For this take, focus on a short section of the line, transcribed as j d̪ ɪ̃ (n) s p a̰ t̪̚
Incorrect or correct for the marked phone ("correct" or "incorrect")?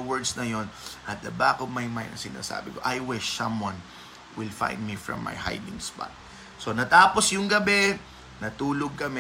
incorrect